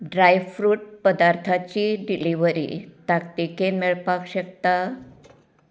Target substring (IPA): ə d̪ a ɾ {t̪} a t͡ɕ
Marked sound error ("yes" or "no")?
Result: yes